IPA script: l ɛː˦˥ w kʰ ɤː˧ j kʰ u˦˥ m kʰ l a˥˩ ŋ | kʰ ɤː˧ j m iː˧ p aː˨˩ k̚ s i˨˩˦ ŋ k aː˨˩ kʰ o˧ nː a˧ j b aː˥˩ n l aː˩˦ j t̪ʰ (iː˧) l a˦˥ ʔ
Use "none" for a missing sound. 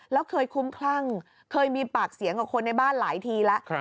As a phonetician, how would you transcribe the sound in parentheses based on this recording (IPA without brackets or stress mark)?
iː˧